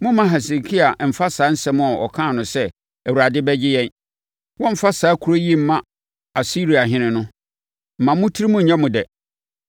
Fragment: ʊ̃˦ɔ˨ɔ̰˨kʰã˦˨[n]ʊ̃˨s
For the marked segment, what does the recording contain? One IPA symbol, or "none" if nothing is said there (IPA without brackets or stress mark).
n